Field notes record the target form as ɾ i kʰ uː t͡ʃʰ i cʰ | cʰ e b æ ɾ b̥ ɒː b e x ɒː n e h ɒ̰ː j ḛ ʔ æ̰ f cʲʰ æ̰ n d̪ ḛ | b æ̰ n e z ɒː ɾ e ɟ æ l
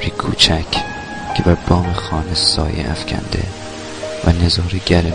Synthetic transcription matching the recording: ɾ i kʰ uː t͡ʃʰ æ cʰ | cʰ e b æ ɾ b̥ ɒː m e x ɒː n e s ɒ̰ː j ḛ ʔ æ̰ f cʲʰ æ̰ n d̪ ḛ | v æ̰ n e z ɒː ɾ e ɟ æ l